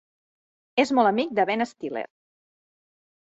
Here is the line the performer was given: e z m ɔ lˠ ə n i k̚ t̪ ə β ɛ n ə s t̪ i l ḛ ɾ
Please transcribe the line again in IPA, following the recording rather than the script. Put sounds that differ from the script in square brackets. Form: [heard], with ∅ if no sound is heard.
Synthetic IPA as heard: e z m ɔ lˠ ə [m] i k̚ [d̪] ə β ɛ n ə s t̪ i l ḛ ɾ